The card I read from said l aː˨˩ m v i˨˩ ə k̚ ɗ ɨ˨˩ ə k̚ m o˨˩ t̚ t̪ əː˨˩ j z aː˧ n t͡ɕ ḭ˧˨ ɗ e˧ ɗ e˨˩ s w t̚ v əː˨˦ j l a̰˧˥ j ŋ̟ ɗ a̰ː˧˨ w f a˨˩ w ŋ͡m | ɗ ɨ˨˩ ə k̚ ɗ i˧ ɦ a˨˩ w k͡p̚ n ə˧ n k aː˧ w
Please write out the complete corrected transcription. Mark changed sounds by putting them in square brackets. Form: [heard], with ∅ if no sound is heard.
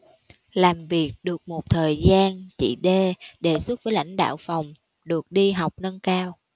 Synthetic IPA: l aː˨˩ m v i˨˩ ə k̚ ɗ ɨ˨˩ ə k̚ m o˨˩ t̚ [t̪ʰ] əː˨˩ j z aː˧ n t͡ɕ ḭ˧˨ ɗ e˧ ɗ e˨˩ s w t̚ v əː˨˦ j l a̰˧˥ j ŋ̟ ɗ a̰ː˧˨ w f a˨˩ w ŋ͡m | ɗ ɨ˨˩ ə k̚ ɗ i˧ ɦ a˨˩ w k͡p̚ n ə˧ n k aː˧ w